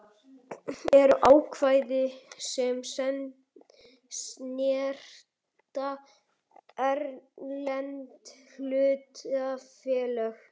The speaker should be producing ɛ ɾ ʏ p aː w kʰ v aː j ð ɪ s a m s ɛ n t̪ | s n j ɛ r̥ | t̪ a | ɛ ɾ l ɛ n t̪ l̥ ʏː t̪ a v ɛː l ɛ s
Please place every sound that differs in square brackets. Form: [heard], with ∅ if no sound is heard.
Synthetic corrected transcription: ɛ ɾ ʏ [ʔ] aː w kʰ v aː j ð ɪ s [ɛ] m s ɛ n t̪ | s n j ɛ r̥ | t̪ a | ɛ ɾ l ɛ n t̪ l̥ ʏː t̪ a [f] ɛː l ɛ [x]

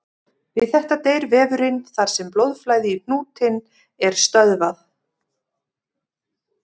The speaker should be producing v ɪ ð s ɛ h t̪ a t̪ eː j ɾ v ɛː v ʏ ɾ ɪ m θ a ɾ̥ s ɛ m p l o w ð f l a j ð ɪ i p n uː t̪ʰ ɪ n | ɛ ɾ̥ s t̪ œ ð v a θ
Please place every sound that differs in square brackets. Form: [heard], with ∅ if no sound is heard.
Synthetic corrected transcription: v ɪ ð [θ] ɛ h t̪ a t̪ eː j ɾ v ɛː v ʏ ɾ ɪ [n] θ a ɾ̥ s ɛ m p l o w ð f l a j ð ɪ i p n uː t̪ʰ ɪ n | ɛ ɾ̥ s t̪ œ ð v a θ

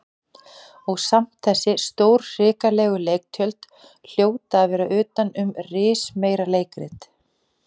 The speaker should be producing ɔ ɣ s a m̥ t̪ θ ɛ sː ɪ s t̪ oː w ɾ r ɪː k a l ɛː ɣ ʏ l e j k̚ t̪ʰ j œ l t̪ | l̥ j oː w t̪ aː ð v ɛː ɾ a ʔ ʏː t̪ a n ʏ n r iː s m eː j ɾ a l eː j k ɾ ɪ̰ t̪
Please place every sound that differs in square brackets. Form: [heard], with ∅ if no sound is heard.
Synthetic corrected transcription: ɔ ɣ s a m̥ t̪ θ ɛ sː ɪ s t̪ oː w ɾ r ɪː k a l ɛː ɣ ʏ l e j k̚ t̪ʰ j œ l t̪ | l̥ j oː w t̪ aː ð v ɛː ɾ a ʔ ʏː t̪ a n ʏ [m] r [ɪː] s m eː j ɾ a l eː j k ɾ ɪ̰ t̪

